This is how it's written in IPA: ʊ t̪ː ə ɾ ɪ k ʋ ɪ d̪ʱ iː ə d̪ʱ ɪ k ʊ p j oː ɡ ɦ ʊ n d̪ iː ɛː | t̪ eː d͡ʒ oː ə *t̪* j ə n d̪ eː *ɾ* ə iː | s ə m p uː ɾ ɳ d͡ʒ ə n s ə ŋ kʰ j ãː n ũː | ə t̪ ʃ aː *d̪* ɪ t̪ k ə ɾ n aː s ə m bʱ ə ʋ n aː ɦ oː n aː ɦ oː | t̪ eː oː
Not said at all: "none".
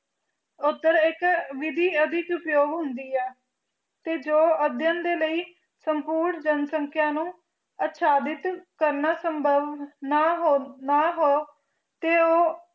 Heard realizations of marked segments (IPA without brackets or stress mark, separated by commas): d̪, l, d̪